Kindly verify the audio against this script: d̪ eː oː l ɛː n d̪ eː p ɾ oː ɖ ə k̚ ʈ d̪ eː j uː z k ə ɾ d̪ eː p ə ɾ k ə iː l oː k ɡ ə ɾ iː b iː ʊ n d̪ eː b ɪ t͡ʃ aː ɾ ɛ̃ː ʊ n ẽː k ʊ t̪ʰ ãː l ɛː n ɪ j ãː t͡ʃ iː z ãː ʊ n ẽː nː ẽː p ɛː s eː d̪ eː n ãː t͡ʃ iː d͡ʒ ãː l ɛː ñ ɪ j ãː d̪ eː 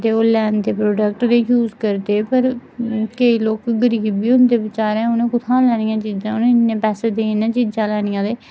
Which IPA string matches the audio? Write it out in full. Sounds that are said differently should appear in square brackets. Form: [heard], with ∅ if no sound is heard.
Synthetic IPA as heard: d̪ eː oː l ɛː n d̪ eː p ɾ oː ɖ ə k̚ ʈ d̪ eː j uː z k ə ɾ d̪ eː p ə ɾ k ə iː l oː k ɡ ə ɾ iː b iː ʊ n d̪ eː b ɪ t͡ʃ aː ɾ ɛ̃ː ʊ n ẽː k ʊ t̪ʰ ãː l ɛː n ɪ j ãː t͡ʃ iː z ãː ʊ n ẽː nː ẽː p ɛː s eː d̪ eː n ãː t͡ʃ iː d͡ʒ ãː l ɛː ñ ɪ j ãː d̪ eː